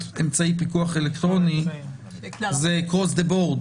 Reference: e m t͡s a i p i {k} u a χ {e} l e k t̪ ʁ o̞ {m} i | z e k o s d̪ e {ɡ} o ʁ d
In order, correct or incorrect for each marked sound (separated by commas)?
correct, correct, incorrect, incorrect